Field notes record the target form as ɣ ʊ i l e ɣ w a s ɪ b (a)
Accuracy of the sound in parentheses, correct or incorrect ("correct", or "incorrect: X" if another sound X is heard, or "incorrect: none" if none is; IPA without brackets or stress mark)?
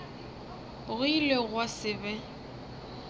incorrect: ɛ